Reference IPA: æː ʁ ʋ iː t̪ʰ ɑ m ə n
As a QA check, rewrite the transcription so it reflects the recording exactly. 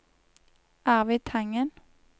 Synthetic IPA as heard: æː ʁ ʋ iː t̪ʰ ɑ ŋ ə n